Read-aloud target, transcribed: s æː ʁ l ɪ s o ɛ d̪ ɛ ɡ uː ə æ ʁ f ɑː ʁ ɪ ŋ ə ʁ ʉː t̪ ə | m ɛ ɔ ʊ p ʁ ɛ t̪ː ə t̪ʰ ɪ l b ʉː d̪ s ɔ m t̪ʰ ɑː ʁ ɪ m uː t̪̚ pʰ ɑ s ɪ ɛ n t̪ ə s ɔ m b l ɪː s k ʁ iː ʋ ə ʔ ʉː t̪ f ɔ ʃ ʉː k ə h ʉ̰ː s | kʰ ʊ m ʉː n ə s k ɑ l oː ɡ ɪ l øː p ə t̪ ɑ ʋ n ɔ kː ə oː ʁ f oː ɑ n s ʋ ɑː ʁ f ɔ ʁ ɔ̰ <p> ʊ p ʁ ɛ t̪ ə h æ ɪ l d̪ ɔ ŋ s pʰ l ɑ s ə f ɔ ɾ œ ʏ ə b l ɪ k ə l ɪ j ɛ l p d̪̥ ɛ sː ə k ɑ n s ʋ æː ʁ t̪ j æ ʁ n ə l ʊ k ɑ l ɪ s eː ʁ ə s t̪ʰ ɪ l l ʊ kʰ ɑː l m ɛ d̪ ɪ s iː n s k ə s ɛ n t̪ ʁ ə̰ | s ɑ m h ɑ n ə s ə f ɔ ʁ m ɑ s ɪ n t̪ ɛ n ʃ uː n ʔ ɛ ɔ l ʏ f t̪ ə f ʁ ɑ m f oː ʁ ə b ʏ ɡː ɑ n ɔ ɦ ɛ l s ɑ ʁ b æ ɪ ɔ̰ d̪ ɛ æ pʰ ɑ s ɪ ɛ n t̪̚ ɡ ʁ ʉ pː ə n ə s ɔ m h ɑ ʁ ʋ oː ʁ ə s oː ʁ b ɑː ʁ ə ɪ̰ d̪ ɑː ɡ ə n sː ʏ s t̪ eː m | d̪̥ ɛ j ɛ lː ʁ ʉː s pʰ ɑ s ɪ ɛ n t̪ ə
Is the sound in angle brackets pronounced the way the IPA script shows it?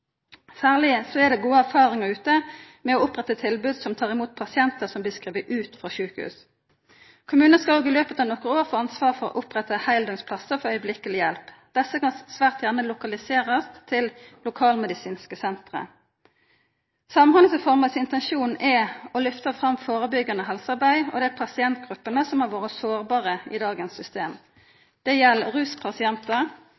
no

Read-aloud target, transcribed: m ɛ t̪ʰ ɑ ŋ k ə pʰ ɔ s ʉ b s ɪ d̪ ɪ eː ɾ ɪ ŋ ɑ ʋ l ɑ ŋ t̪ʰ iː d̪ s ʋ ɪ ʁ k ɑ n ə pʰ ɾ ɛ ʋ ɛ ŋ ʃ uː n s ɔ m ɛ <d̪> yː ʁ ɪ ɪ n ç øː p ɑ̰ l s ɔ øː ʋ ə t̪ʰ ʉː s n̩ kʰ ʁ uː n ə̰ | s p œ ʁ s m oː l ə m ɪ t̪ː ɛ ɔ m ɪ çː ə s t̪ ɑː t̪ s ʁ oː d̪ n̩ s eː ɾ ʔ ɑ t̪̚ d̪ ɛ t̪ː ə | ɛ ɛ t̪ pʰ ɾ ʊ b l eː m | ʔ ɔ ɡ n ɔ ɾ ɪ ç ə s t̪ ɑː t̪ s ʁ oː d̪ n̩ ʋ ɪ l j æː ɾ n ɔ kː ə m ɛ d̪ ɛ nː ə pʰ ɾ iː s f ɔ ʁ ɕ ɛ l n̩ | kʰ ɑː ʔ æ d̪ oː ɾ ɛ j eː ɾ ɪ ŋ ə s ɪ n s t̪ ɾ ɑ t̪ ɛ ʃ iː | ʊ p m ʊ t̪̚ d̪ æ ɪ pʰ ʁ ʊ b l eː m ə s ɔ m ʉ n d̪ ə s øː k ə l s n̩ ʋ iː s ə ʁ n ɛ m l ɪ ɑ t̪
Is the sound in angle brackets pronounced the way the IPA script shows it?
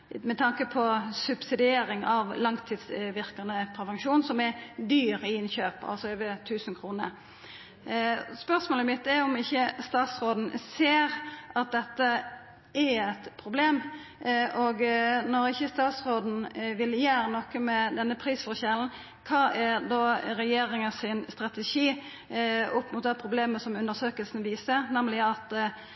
yes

